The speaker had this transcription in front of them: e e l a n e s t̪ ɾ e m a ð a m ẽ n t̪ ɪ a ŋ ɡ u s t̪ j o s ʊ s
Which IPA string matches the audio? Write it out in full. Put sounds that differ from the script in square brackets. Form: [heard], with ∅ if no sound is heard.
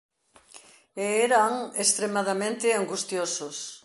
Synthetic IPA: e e [ɾ] a [ŋ] e s t̪ ɾ e m a ð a m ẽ n t̪ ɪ a ŋ ɡ u s t̪ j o s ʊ s